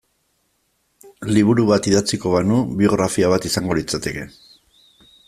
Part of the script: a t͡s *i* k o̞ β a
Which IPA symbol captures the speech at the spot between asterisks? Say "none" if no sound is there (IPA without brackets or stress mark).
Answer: i